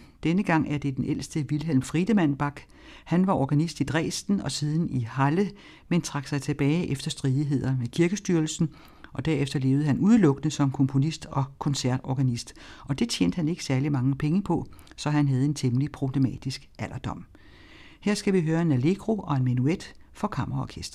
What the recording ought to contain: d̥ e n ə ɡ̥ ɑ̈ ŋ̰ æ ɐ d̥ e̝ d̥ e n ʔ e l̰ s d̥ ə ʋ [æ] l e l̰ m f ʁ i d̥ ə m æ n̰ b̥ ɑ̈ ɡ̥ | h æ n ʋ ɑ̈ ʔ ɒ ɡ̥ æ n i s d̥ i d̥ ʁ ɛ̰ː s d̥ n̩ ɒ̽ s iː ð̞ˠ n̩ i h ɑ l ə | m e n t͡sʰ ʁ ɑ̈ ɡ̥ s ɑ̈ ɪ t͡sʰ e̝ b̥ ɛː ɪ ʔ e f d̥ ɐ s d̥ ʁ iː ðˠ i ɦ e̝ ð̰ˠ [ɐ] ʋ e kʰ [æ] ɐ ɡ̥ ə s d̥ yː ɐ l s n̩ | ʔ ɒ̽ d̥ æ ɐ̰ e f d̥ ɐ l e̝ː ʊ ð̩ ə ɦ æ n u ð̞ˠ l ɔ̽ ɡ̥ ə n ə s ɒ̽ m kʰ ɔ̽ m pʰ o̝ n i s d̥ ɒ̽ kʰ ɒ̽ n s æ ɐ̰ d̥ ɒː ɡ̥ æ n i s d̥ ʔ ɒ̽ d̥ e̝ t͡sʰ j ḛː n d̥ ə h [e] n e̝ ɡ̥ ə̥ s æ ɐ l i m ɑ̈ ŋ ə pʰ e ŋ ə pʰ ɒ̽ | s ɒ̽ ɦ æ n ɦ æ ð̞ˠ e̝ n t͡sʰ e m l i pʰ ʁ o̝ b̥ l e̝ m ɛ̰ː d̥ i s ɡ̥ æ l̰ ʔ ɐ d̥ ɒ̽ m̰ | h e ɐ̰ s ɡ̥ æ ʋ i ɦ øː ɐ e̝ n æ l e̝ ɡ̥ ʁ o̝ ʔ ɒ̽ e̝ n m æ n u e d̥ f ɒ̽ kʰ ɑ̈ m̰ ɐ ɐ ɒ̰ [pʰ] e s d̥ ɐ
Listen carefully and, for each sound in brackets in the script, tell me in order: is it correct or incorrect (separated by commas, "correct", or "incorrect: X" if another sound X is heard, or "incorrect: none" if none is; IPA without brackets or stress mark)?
incorrect: i, correct, incorrect: i, incorrect: æ, incorrect: kʰ